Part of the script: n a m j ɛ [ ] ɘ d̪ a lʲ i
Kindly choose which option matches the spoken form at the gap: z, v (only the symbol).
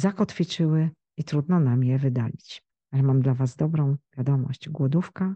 v